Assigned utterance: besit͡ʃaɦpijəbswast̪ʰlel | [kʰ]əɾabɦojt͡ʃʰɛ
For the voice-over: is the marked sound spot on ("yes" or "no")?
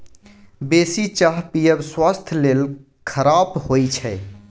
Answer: yes